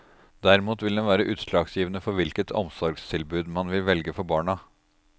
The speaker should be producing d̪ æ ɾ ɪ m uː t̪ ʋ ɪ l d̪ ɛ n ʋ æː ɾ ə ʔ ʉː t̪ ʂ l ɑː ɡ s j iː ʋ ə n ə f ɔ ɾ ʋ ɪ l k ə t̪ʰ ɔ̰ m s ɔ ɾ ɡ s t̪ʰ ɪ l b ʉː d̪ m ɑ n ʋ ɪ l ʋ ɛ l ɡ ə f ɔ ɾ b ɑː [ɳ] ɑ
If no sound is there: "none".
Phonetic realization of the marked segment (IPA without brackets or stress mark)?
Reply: ɳ